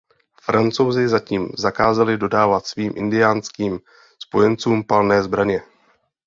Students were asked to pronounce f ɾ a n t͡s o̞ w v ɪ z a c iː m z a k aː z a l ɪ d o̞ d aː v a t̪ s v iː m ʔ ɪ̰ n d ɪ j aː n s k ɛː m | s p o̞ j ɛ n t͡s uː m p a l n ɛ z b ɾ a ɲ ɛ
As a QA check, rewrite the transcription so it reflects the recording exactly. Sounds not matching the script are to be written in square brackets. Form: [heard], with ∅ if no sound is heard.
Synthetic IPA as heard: f ɾ a n t͡s o̞ w [z] ɪ z a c iː m z a k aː z a l ɪ d o̞ d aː v a t̪ s v iː m ʔ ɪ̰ n d ɪ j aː n s k [iː] m | s p o̞ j ɛ n t͡s uː m p a l n [ɛː] z b ɾ a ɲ ɛ